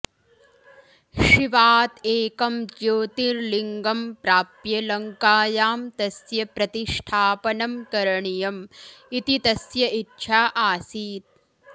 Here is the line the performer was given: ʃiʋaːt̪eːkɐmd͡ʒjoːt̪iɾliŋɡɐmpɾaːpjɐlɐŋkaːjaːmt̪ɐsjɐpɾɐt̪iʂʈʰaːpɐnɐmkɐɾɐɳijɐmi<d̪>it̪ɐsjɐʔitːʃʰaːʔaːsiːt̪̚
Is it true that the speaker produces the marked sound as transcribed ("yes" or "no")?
no